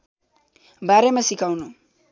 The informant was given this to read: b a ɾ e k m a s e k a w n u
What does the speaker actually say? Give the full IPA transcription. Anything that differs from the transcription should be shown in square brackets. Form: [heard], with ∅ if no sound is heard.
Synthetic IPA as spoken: b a ɾ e [∅] m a s [i] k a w n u